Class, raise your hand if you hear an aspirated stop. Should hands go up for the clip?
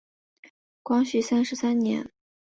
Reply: no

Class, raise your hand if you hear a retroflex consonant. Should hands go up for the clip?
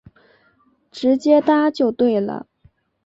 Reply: yes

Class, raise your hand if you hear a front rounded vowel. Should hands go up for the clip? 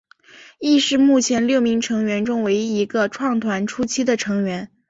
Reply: no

